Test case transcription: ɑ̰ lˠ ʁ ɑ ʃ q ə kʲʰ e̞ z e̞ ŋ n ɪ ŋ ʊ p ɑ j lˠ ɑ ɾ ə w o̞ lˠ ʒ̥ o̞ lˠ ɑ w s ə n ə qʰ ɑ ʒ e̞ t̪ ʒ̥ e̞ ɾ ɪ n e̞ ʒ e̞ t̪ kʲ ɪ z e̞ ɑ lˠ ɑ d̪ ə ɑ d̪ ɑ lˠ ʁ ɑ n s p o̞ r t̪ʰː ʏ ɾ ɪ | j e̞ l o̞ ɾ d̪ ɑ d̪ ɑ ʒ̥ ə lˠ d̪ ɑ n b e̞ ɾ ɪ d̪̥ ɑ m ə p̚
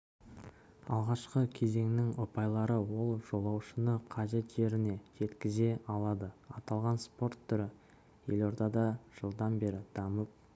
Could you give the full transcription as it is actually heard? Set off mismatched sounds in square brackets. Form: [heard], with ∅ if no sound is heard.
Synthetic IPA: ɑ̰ lˠ ʁ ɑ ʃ q ə kʲʰ e̞ z e̞ ŋ n ɪ ŋ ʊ p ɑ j lˠ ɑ ɾ ə w o̞ lˠ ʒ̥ o̞ lˠ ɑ w [ʃ] ə n ə qʰ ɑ ʒ e̞ t̪ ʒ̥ e̞ ɾ ɪ n e̞ ʒ e̞ t̪ kʲ ɪ z e̞ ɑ lˠ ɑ d̪ ə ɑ [t̪] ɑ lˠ ʁ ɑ n s p o̞ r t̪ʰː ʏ ɾ ɪ | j e̞ l o̞ ɾ d̪ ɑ d̪ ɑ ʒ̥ ə lˠ d̪ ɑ n b e̞ ɾ ɪ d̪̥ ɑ m ə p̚